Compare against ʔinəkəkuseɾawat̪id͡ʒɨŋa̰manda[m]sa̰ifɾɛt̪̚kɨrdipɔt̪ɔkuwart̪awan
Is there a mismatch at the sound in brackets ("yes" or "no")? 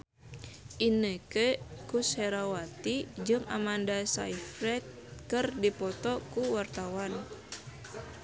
yes